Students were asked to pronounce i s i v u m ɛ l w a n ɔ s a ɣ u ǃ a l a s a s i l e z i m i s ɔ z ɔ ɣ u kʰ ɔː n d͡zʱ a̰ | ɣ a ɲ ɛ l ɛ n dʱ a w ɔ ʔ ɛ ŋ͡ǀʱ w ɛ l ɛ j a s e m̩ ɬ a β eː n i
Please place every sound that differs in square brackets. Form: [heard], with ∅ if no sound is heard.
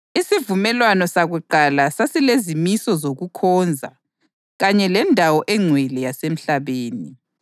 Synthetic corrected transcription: i s i v u m ɛ l w a n ɔ s a ɣ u ǃ a l a s a s i l e z i m i s ɔ z [o] ɣ u kʰ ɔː n d͡zʱ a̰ | ɣ a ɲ ɛ l ɛ n dʱ a w ɔ ʔ ɛ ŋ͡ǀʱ w ɛ l ɛ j a s e m̩ ɬ a β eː n i